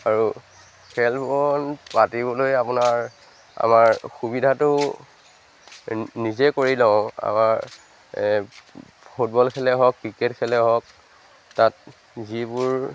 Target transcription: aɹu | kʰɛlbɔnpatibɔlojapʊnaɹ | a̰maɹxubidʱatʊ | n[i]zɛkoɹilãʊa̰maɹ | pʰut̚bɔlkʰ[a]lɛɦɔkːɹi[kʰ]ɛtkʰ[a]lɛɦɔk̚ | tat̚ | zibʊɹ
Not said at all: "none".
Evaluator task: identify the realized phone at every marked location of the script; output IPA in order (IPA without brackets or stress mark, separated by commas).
i, ɛ, k, ɛ